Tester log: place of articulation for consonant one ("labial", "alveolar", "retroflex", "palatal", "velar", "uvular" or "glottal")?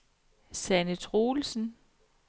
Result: alveolar